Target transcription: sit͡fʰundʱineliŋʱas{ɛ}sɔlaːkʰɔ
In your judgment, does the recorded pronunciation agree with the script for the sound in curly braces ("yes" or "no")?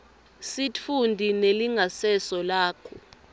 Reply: yes